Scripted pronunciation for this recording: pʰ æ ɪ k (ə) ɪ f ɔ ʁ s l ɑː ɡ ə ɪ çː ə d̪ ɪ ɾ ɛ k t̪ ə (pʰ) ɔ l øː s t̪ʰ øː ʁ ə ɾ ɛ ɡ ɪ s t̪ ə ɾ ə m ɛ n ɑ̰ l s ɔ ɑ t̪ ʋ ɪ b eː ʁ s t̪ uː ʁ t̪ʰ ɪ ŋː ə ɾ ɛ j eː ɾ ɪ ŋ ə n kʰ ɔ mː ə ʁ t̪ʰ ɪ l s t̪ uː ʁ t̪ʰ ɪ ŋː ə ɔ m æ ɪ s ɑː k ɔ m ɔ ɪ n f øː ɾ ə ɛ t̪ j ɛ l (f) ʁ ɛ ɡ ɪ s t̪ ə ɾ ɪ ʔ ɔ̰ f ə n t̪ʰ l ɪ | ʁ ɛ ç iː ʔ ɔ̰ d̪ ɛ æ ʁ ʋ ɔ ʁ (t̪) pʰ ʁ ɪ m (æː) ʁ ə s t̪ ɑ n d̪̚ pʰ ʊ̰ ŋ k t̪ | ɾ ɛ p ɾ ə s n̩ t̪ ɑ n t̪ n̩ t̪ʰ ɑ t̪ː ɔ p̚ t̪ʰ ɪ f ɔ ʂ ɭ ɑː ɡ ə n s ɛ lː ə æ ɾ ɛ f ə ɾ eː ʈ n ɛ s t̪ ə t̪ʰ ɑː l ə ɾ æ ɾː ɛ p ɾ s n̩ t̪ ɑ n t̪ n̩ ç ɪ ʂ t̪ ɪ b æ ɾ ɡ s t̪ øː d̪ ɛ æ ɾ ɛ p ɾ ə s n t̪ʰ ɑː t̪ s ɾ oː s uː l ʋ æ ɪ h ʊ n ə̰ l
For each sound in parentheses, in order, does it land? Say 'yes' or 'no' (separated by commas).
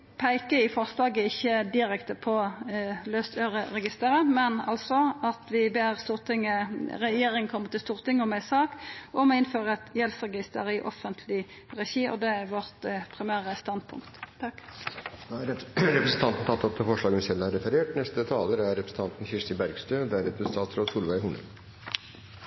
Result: yes, yes, no, yes, yes